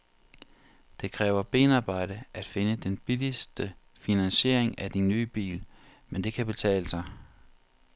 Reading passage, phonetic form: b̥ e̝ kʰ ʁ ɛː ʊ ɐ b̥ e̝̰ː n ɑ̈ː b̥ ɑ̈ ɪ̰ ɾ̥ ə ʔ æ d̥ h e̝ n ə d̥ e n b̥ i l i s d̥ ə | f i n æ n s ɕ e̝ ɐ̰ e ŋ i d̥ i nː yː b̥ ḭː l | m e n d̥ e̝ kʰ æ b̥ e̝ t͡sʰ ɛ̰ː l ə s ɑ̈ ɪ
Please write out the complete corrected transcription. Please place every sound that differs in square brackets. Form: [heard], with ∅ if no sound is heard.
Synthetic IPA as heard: [d̥] e̝ kʰ ʁ ɛː ʊ ɐ b̥ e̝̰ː n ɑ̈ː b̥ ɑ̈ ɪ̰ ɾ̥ ə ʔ æ d̥ [f] e̝ n ə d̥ e n b̥ i l i s d̥ ə | f i n æ n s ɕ e̝ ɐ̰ e ŋ [æ] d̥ i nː yː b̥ ḭː l | m e n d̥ e̝ kʰ æ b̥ e̝ t͡sʰ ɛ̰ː l ə s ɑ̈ ɪ